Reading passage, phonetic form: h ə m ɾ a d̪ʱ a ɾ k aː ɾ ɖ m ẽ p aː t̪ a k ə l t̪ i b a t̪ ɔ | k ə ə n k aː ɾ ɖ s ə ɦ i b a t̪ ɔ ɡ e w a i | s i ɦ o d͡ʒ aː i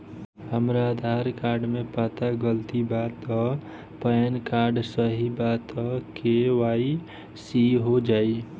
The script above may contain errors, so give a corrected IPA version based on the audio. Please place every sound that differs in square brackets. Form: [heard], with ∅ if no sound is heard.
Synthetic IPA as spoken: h ə m ɾ a d̪ʱ a ɾ k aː ɾ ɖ m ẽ p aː t̪ a [ɡ] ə l t̪ i b a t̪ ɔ | [p] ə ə n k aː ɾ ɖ s ə ɦ i b a t̪ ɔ [k] e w a i | s i ɦ o d͡ʒ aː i